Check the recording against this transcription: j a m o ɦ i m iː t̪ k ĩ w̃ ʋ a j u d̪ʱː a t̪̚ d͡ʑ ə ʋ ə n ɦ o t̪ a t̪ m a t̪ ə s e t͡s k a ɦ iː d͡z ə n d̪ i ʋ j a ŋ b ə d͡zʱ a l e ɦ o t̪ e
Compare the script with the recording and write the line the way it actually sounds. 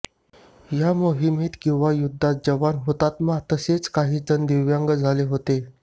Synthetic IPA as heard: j a m o ɦ i m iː t̪ k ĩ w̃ ʋ a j u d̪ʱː a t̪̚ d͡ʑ ə ʋ a n ɦ o t̪ a t̪ m a t̪ ə s e t͡s k a ɦ iː d͡z ə n d̪ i ʋ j a ŋ ɡ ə d͡zʱ a l e ɦ o t̪ e

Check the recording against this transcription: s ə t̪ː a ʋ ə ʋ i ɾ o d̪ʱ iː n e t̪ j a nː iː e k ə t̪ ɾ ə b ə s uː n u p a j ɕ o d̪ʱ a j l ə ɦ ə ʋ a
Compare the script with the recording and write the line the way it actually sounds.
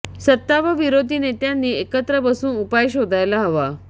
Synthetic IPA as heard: s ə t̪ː a ʋ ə ʋ i ɾ o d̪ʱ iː n e t̪ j a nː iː e k ə t̪ ɾ ə b ə s uː n u p a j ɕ o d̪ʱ a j l a ɦ ə ʋ a

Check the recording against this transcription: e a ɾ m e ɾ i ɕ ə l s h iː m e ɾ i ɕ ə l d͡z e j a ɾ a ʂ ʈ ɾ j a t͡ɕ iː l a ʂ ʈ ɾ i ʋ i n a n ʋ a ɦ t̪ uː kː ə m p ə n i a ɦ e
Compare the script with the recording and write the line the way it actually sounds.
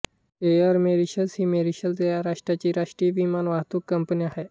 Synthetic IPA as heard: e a ɾ m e ɾ i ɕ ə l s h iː m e ɾ i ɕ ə l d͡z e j a ɾ a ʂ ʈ ɾ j a t͡ɕ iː ɾ a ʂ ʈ ɾ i ʋ i m a n ʋ a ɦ t̪ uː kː ə m p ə n i a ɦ e

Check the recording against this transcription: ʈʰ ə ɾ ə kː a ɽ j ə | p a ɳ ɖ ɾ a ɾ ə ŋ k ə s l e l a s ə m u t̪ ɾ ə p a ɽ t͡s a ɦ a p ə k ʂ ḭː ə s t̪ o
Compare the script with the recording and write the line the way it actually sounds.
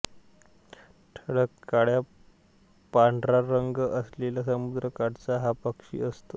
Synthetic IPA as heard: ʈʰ ə ɽ ə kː a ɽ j a | p a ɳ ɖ ɾ a ɾ ə ŋ ɡ ə s l e l a s ə m u d̪ ɾ ə k a ɽ t͡s a ɦ a p ə k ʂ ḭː ə s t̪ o

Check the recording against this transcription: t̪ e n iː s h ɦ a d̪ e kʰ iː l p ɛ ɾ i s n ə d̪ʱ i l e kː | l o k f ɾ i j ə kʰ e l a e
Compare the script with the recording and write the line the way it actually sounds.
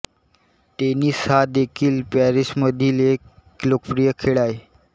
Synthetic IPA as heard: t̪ e n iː s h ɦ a d̪ e kʰ iː l p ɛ ɾ i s m ə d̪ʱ i l e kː | l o k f ɾ i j ə kʰ e ɭ a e

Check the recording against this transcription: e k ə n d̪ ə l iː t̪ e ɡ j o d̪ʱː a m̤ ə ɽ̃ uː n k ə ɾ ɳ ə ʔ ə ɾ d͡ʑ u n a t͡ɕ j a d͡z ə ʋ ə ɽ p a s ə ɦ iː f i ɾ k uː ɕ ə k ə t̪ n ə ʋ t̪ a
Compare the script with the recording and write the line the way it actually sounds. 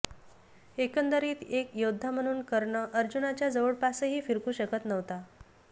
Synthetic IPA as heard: e k ə n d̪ ə ɾ iː t̪ e k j o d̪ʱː a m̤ ə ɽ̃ uː n k ə ɾ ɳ ə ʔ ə ɾ d͡ʑ u n a t͡ɕ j a d͡z ə ʋ ə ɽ p a s ə ɦ iː f i ɾ k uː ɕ ə k ə t̪ n ə ʋ t̪ a

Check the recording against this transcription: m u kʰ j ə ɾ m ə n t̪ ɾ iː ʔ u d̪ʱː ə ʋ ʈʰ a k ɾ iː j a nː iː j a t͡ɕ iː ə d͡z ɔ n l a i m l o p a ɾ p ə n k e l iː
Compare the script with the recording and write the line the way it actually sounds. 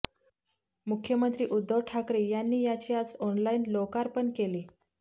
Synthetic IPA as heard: m u kʰ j ə m ə n t̪ ɾ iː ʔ u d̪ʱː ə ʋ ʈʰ a k ɾ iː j a nː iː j a t͡ɕ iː a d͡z ɔ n l a i n l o k a ɾ p ə ɳ k e l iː

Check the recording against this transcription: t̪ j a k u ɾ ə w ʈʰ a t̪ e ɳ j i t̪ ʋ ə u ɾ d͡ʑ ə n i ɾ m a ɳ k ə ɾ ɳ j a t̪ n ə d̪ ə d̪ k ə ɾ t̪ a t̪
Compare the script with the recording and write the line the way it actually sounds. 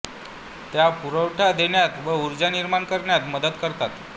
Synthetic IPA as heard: t̪ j a p u ɾ ə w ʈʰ a d̪ e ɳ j a t̪ ʋ ə u ɾ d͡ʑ a n i ɾ m a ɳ k ə ɾ ɳ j a t̪ m ə d̪ ə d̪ k ə ɾ t̪ a t̪

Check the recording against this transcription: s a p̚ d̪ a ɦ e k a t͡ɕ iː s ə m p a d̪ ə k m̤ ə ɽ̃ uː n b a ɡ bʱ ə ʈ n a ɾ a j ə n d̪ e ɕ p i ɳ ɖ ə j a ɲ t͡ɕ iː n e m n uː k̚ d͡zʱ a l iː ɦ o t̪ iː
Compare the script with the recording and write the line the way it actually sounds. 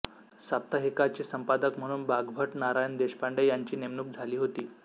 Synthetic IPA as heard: s a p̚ t̪ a ɦ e k a t͡ɕ iː s ə m p a d̪ ə k m̤ ə ɽ̃ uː n b a ɡ bʱ ə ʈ n a ɾ a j ə n d̪ e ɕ p a ɳ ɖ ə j a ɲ t͡ɕ iː n e m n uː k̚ d͡zʱ a l iː ɦ o t̪ iː

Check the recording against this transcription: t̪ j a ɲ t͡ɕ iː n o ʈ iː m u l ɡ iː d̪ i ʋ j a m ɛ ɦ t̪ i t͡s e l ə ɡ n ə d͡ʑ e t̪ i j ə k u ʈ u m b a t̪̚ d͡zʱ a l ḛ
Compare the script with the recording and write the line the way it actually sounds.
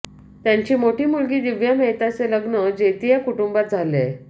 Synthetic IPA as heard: t̪ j a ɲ t͡ɕ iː m o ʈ iː m u l ɡ iː d̪ i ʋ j a m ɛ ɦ t̪ a t͡s e l ə ɡ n ə d͡ʑ e t̪ i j a k u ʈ u m b a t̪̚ d͡zʱ a l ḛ

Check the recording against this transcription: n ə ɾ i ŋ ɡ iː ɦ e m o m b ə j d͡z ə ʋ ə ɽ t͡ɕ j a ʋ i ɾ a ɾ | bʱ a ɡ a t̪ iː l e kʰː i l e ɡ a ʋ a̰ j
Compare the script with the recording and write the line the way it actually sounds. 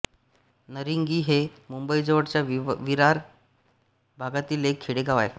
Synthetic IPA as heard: n ə ɾ i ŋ ɡ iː ɦ e m u m b ə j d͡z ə ʋ ə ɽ t͡ɕ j a ʋ i ɾ a ɾ | bʱ a ɡ a t̪ iː l e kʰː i ɽ e ɡ a ʋ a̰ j

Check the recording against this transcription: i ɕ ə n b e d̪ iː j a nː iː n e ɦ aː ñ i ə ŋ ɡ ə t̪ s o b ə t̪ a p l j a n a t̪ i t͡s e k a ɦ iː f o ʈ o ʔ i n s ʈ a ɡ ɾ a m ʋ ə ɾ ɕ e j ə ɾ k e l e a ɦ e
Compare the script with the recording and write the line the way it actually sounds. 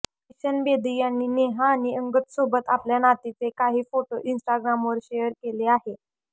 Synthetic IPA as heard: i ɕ ə n b e d̪ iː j a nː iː n e ɦ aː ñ i ə ŋ ɡ ə t̪ s o b ə t̪ a p l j a n a t̪ i t͡s e k a ɦ iː f o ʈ o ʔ i n s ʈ a ɡ ɾ a m ʋ ə ɾ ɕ e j ə ɾ k e l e a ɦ e

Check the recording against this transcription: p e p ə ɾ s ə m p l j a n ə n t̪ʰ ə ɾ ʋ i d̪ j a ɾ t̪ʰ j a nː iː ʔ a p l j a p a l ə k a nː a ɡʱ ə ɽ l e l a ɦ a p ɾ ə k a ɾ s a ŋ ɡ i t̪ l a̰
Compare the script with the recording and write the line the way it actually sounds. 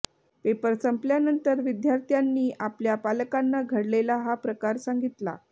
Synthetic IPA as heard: p e p ə ɾ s ə m p l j a n ə n t̪ ə ɾ ʋ i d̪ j a ɾ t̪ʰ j a nː iː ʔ a p l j a p a l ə k a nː a ɡʱ ə ɽ l e l a ɦ a p ɾ ə k a ɾ s a ŋ ɡ i t̪ l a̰

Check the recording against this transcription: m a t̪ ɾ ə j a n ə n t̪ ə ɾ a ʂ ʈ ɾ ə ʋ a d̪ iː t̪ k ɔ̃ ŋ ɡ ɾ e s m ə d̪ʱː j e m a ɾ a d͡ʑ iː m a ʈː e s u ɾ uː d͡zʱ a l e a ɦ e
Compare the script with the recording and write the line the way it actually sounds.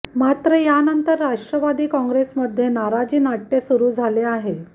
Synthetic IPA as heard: m a t̪ ɾ ə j a n ə n t̪ ə ɾː a ʂ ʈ ɾ ə ʋ a d̪ iː k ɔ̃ ŋ ɡ ɾ e s m ə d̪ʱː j e n a ɾ a d͡ʑ iː n a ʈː e s u ɾ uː d͡zʱ a l e a ɦ e

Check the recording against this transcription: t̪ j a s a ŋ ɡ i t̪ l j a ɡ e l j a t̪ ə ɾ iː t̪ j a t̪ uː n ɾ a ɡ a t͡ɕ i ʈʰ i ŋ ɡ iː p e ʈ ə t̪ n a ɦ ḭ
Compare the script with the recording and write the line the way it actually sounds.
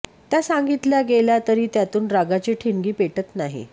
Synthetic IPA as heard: t̪ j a s a ŋ ɡ i t̪ l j a ɡ e l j a t̪ ə ɾ iː t̪ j a t̪ uː n ɾ a ɡ a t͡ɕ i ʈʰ i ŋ ɡ iː p e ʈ ə t̪ n a ɦ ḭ

